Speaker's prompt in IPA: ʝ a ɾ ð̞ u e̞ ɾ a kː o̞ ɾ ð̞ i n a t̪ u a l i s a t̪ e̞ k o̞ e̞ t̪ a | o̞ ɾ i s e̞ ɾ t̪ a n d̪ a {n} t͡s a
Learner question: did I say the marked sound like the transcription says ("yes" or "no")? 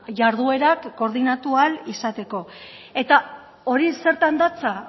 no